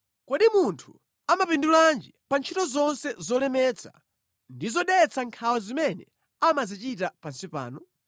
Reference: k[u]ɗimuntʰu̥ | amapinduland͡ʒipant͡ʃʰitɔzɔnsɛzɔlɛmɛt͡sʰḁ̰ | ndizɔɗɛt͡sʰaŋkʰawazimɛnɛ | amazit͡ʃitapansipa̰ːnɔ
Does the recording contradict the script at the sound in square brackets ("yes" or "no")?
yes